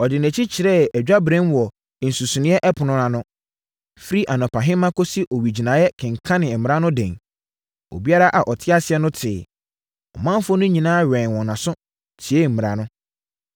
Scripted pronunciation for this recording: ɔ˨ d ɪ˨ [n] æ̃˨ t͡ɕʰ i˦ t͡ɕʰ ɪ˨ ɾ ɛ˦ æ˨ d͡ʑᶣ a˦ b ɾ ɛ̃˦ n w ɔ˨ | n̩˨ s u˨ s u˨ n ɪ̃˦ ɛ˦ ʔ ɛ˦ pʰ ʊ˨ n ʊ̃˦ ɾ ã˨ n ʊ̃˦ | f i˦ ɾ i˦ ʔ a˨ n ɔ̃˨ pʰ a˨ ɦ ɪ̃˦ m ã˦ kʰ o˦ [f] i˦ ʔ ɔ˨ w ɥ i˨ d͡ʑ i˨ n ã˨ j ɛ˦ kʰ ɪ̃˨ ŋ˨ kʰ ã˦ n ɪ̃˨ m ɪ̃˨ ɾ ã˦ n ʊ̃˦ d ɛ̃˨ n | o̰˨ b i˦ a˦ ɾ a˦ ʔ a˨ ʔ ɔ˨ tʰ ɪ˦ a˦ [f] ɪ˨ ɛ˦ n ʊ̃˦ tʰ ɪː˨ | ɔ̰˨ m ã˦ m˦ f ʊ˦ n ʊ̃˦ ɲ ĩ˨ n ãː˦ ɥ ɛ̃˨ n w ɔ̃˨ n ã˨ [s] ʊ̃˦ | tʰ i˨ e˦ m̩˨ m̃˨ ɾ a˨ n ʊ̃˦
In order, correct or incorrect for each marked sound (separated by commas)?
correct, incorrect, incorrect, correct